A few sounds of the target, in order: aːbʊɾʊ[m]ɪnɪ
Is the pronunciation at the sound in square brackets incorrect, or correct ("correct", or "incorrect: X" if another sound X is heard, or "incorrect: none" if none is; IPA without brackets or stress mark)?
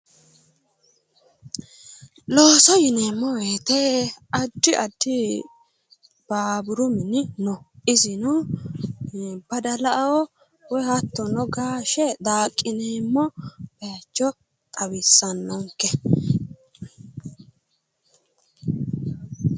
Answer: correct